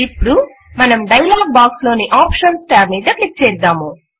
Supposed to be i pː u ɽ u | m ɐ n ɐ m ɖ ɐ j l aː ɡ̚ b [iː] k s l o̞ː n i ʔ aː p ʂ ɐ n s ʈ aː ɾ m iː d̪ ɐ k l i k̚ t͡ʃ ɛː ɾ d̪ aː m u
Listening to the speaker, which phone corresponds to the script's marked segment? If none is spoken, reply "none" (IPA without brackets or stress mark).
aː